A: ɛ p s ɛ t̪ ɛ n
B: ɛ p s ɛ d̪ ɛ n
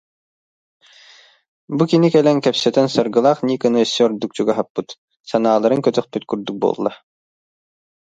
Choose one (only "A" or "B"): A